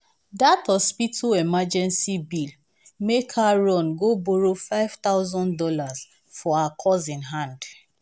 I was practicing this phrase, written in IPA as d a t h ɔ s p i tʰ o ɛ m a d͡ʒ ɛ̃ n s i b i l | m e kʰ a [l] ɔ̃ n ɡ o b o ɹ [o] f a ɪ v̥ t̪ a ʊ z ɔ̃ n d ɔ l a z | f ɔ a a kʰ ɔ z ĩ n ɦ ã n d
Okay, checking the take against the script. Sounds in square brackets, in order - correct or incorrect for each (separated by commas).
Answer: incorrect, correct